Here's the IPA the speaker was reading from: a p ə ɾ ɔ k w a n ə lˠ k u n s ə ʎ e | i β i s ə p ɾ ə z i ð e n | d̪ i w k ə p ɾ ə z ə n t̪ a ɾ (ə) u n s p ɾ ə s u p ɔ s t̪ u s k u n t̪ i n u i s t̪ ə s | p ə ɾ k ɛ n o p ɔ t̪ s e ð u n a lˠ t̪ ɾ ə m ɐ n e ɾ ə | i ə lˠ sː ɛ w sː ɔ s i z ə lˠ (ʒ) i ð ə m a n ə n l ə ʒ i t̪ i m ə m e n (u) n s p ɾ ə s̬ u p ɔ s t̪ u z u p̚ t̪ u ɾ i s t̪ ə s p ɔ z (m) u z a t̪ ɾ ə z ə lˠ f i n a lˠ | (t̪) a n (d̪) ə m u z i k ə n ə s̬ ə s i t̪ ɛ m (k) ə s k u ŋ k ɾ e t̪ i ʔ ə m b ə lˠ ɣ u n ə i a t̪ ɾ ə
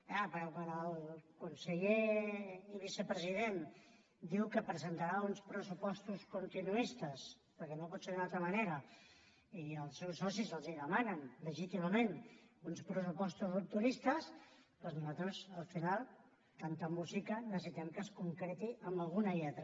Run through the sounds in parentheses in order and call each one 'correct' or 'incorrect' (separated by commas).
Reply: incorrect, incorrect, correct, incorrect, correct, incorrect, correct